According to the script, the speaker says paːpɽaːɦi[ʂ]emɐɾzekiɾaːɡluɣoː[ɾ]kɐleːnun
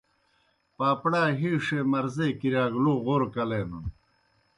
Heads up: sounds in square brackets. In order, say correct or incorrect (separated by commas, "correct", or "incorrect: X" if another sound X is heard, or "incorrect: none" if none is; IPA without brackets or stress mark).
correct, correct